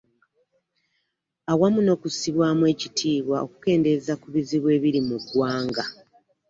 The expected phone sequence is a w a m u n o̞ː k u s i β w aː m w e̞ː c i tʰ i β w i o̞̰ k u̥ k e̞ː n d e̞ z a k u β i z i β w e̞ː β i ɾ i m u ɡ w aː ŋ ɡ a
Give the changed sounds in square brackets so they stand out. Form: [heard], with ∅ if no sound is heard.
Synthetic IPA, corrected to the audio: a w a m u n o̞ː k u s i β w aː m w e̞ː c i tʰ [iː] β w [a] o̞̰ k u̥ k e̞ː n d e̞ z a k u β i z i β w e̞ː β i ɾ i m u ɡ w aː ŋ ɡ a